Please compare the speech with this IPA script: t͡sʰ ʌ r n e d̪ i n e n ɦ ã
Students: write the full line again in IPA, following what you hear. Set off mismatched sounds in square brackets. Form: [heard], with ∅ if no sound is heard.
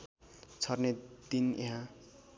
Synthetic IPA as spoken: t͡sʰ ʌ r n e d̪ i n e [∅] ɦ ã